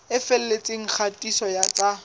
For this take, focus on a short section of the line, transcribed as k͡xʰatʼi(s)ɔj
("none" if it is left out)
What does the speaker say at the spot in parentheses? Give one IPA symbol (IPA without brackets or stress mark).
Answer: s